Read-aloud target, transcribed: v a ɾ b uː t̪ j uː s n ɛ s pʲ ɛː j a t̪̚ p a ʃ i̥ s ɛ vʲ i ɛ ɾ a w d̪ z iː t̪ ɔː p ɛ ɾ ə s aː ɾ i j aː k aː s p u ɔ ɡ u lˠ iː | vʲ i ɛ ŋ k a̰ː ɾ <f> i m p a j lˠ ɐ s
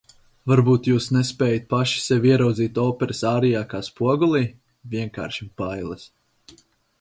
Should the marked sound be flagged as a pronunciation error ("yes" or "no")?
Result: yes